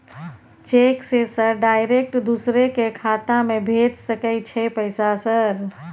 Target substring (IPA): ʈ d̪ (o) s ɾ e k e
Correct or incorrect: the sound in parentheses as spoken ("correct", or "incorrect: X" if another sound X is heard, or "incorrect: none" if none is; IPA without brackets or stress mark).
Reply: incorrect: u